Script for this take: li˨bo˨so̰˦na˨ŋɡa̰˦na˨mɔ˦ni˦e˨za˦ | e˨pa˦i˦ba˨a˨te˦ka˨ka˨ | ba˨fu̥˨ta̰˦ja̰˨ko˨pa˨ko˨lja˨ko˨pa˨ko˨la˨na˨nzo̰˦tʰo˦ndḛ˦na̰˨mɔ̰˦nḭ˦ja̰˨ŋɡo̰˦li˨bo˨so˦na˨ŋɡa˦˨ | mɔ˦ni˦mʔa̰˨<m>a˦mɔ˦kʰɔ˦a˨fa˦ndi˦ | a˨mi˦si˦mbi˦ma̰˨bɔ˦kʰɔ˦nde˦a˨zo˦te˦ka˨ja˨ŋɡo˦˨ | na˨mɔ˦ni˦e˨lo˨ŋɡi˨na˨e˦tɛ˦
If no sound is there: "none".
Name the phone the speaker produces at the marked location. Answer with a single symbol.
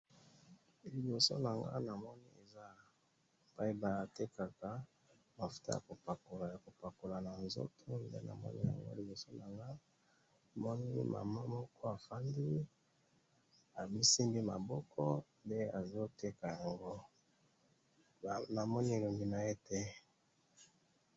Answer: m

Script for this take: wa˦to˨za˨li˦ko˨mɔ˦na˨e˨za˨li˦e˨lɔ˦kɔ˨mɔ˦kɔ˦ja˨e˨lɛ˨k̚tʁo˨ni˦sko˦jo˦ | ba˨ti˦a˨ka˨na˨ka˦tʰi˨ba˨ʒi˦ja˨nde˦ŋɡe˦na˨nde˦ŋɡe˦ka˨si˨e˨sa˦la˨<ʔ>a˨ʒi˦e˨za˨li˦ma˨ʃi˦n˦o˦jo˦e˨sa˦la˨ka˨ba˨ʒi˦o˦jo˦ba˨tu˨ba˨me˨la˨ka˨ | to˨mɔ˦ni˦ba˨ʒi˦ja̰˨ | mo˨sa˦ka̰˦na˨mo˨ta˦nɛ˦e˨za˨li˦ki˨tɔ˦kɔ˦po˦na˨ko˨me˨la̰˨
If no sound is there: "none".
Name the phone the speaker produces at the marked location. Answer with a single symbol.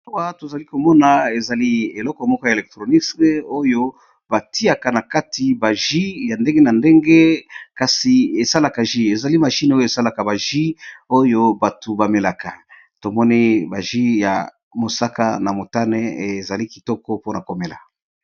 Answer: k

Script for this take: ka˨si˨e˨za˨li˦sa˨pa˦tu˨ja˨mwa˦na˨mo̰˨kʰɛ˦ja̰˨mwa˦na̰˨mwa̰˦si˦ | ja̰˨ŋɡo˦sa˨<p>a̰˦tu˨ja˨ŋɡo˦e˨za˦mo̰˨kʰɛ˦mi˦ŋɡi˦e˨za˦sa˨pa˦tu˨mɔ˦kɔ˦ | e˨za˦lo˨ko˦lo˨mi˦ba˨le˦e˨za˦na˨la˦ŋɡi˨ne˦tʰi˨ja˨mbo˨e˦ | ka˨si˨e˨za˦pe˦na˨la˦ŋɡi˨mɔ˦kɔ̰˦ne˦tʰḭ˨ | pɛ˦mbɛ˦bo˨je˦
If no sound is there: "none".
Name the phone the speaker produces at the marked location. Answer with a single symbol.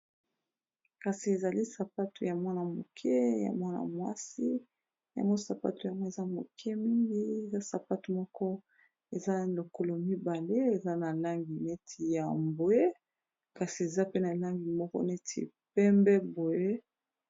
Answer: p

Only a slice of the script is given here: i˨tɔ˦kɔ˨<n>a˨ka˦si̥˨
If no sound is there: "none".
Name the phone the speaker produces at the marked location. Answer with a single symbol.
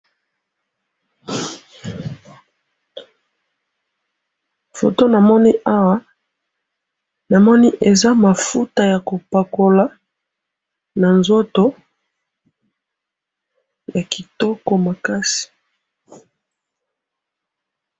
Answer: m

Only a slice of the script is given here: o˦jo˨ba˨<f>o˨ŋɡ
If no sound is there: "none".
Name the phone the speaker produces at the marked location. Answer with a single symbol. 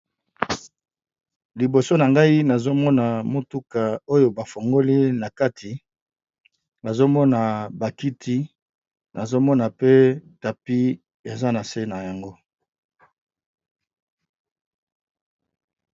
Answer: f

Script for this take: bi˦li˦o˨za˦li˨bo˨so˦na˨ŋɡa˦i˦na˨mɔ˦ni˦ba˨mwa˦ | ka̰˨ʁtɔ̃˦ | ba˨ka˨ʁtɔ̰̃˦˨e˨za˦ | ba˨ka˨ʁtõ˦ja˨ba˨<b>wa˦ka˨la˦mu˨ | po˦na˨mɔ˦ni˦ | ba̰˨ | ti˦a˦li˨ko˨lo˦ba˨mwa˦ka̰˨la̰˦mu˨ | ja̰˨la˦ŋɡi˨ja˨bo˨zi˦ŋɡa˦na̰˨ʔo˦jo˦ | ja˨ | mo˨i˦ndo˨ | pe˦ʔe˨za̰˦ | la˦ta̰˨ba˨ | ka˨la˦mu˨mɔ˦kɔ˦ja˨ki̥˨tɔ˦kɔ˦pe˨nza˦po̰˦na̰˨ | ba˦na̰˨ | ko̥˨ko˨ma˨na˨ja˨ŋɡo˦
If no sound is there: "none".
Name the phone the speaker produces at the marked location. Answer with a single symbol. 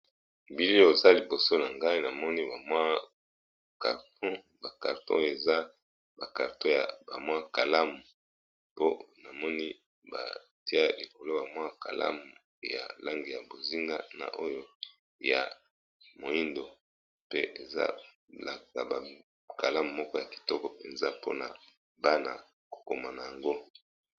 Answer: m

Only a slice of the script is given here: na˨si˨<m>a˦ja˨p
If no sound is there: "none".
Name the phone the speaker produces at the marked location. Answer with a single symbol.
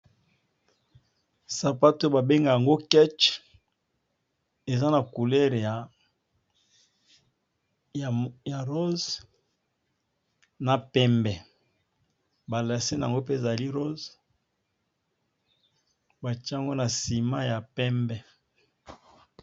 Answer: m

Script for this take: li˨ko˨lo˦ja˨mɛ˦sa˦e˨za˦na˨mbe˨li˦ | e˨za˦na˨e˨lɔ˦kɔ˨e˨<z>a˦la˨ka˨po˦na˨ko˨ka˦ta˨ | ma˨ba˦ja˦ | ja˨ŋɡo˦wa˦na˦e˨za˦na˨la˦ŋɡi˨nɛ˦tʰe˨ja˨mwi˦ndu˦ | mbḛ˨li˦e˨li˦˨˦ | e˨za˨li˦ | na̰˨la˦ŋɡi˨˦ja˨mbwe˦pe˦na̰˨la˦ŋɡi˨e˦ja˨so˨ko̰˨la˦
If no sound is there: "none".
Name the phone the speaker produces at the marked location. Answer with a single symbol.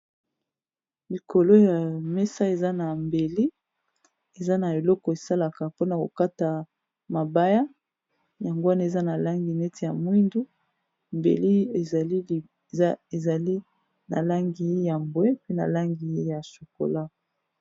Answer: s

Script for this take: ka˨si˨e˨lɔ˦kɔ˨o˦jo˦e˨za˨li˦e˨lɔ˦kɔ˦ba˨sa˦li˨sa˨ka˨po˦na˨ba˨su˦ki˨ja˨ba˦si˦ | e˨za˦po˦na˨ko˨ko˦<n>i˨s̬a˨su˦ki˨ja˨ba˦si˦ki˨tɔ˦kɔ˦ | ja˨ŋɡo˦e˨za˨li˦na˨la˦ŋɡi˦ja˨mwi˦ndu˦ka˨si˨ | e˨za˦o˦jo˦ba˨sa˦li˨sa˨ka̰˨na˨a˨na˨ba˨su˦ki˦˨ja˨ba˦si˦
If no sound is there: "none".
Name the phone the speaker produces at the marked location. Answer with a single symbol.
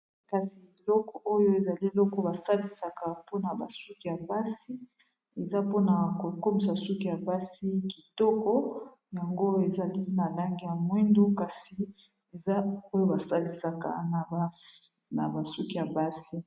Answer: m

